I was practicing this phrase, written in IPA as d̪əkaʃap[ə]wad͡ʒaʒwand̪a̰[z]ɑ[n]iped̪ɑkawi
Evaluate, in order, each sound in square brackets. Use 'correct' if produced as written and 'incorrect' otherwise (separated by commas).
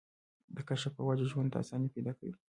correct, incorrect, correct